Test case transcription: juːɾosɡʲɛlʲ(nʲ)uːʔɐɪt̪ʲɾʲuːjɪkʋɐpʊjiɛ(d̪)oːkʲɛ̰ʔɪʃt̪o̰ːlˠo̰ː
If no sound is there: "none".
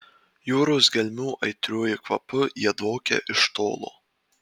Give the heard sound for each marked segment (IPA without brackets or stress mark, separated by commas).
mʲ, d̪